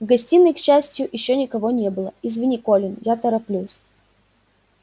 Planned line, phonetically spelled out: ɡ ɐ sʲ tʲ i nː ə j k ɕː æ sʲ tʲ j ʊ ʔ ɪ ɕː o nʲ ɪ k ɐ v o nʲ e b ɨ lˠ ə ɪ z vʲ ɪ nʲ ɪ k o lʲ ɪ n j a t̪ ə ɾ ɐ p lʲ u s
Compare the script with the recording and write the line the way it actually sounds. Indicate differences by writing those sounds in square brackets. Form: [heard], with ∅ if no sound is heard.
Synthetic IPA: ɡ ɐ sʲ tʲ i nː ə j k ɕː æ sʲ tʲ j ʊ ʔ ɪ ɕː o nʲ ɪ k ɐ v o nʲ e b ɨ lˠ ə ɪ z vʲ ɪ nʲ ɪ k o lʲ ɪ n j a t̪ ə ɾ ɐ p lʲ u s